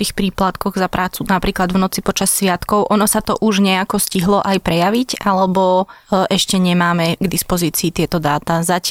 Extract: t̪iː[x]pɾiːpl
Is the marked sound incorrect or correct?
correct